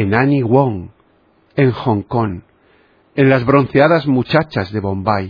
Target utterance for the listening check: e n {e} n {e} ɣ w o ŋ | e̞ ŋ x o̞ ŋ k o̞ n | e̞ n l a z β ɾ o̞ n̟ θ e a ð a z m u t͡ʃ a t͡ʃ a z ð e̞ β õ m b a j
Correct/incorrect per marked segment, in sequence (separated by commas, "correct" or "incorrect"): incorrect, incorrect